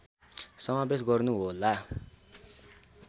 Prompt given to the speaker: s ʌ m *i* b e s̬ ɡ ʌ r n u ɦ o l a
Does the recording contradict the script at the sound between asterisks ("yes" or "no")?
yes